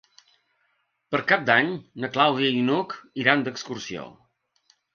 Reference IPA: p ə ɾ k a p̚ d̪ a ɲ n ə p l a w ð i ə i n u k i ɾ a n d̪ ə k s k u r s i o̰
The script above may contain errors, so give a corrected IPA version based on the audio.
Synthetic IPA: p ə ɾ k a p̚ d̪ a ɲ n ə k l a w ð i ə i n u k i ɾ a n d̪ ə k s k u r s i o̰

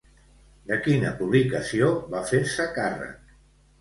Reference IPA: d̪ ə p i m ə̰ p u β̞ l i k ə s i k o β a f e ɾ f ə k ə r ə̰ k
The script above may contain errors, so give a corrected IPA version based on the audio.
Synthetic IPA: d̪ ə k i n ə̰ p u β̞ l i k ə s i o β a f e ɾ s ə k a r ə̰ k

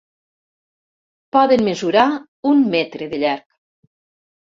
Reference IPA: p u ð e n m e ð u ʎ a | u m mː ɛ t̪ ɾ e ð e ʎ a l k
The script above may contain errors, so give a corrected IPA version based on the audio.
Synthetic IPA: p ɔ ð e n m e z u ɾ a | u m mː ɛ t̪ ɾ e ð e ʎ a ɾ k

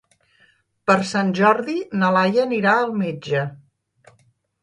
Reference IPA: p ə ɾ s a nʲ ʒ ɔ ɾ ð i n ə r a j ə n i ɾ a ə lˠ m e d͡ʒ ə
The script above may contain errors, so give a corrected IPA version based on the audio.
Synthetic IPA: p ə ɾ s a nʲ ʒ ɔ ɾ ð i n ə l a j ə n i ɾ a ə lˠ m e d͡ʒ ə

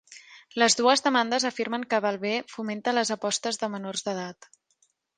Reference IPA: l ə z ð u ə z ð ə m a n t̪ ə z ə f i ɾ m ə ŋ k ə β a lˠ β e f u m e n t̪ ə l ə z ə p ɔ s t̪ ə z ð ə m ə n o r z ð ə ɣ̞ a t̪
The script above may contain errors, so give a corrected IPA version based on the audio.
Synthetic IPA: l ə z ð u ə z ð ə m a n d̪ ə z ə f i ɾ m ə ŋ k ə β a lˠ β e f u m e n t̪ ə l ə z ə p ɔ s t̪ ə z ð ə m ə n o r z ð ə ð̞ a t̪

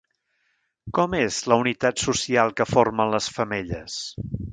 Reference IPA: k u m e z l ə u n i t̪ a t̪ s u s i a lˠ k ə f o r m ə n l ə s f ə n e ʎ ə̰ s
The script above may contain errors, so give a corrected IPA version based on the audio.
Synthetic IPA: k ɔ m e z l ə u n i t̪ a t̪ s u s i a lˠ k ə f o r m ə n l ə s f ə m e ʎ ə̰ s

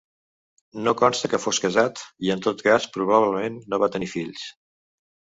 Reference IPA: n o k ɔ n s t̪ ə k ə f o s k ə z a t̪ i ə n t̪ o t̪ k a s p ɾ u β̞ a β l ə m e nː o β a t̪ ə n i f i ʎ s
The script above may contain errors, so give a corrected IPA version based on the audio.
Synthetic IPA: n o k ɔ n s t̪ ə k ə f o s k ə z a t̪ i ə n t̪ o t̪ k a s p ɾ u β̞ a β l ə m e nː o β a t̪ ə n i f i ʎ s

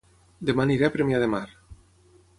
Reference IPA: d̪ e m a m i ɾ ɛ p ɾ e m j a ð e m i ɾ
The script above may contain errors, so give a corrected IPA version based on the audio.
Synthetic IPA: d̪ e m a n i ɾ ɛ p ɾ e m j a ð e m a ɾ

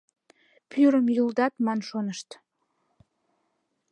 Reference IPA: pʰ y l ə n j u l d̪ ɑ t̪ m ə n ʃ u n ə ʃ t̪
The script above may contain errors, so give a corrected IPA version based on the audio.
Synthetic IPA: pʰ y ɾ ə m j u l d̪ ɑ t̪ m ɑ n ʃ o n ə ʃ t̪

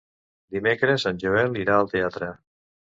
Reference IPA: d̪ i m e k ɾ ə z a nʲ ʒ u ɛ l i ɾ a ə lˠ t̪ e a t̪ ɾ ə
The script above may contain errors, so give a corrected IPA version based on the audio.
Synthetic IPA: d̪ i m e k ɾ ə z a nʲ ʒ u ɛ l i ɾ a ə lˠ t̪ e a t̪ ɾ ə

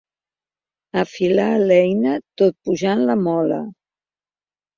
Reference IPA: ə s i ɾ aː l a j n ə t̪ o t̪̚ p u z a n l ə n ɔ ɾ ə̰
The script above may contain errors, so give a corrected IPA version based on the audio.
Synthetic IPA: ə f i l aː l ɛ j n ə t̪ o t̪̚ p u ʒ a n l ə m ɔ l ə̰

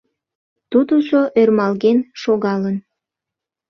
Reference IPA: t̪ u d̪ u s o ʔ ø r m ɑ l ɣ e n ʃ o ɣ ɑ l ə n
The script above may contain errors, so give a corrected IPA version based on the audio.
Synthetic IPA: t̪ u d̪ u s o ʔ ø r m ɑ l ɣ e n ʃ o ɣ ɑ l ə n

